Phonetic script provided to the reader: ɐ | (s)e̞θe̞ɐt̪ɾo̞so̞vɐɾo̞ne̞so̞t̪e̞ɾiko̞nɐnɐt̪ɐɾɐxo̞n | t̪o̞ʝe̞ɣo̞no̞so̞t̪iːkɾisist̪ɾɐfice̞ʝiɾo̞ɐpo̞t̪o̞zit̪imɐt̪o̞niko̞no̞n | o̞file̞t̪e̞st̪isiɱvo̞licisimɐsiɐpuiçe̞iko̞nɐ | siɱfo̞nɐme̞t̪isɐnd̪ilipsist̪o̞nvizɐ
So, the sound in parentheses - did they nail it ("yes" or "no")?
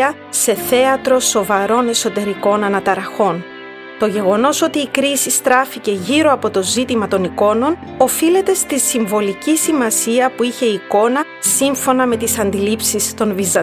yes